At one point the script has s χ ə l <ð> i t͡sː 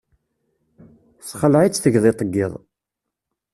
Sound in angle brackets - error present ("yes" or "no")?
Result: yes